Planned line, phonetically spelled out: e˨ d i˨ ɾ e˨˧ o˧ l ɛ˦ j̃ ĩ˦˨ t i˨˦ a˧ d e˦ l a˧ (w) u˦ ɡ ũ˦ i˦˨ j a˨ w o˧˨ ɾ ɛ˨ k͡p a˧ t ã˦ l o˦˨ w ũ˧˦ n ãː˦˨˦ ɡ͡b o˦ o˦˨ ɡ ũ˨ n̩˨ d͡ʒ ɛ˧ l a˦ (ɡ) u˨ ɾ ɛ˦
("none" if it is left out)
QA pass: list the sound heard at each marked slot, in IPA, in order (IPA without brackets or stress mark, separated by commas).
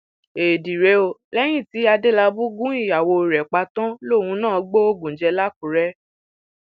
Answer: b, k